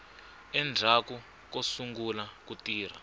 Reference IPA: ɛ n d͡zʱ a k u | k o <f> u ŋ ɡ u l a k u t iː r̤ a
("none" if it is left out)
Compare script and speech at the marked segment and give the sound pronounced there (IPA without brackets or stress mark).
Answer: s